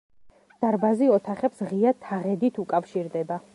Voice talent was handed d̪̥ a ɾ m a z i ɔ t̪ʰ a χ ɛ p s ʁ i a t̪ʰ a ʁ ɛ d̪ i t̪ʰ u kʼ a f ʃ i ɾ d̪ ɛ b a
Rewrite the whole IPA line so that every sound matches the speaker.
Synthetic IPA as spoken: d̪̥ a ɾ b a z i ɔ t̪ʰ a χ ɛ p s ʁ i a t̪ʰ a ʁ ɛ d̪ i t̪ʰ u kʼ a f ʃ i ɾ d̪ ɛ b a